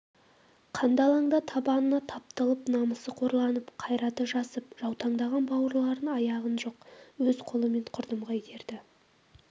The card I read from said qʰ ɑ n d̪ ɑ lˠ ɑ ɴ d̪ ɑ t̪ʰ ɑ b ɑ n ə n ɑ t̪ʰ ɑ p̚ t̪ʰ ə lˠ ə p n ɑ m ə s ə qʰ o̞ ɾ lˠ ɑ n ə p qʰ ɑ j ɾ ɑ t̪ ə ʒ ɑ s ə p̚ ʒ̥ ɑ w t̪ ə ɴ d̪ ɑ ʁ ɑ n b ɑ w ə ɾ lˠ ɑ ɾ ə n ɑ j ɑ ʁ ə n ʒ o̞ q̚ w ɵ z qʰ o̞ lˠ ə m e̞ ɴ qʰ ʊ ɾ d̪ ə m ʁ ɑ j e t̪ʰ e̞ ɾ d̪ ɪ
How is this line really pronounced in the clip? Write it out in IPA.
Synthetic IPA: qʰ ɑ n d̪ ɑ lˠ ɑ ɴ d̪ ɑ t̪ʰ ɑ b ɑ n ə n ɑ t̪ʰ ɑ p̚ t̪ ə lˠ ə p n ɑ m ə s ə qʰ o̞ ɾ lˠ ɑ n ə p qʰ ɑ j ɾ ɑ t̪ ə ʒ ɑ s ə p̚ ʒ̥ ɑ w t̪ ɑ ɴ d̪ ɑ ʁ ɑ n b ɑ w ə ɾ lˠ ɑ ɾ ə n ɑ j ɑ ʁ ə n ʒ o̞ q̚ w ɵ z qʰ o̞ lˠ ə m e̞ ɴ qʰ ʊ ɾ d̪ ə m ʁ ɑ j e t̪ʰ e̞ ɾ d̪ ɪ